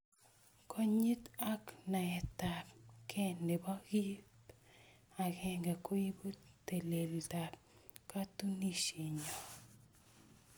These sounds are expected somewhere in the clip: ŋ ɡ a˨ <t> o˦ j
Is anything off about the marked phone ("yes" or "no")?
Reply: yes